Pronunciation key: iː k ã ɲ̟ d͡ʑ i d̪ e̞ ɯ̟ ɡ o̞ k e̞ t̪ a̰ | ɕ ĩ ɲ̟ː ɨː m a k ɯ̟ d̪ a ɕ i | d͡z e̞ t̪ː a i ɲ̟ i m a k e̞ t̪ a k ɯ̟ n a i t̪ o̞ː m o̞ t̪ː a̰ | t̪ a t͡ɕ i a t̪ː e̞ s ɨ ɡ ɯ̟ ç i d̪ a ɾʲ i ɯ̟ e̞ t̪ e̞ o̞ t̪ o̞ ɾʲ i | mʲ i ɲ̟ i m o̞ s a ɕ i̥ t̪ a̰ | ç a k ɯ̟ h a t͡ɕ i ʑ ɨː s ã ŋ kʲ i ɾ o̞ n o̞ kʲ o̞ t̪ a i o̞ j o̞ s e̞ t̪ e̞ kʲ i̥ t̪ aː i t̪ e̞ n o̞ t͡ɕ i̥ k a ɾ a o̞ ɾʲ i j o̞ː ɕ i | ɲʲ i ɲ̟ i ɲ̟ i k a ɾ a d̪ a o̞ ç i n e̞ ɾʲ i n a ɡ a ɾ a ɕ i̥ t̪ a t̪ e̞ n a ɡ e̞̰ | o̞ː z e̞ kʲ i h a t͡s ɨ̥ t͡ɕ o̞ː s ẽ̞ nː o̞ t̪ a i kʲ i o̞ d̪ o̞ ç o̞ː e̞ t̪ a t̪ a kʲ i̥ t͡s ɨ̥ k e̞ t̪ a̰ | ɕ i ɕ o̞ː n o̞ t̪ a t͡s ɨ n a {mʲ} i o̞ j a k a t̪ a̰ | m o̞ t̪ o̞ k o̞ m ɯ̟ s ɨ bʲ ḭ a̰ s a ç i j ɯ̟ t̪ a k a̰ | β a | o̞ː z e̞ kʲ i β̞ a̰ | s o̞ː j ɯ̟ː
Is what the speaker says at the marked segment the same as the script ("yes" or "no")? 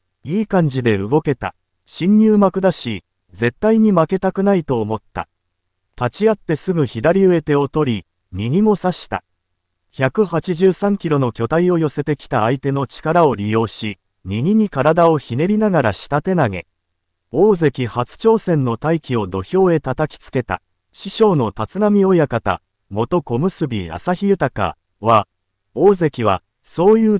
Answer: yes